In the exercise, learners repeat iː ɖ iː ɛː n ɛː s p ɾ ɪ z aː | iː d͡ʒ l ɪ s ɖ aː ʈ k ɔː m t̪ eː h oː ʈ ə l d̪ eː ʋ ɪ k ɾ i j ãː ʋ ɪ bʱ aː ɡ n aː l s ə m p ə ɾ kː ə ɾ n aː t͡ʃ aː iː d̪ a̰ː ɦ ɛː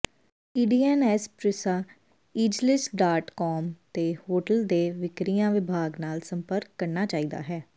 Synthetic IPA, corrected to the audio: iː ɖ iː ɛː n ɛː s p ɾ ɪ s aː | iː d͡ʒ l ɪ s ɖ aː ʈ k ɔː m t̪ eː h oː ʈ ə l d̪ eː ʋ ɪ k ɾ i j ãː ʋ ɪ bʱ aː ɡ n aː l s ə m p ə ɾ kː ə ɾ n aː t͡ʃ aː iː d̪ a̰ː ɦ ɛː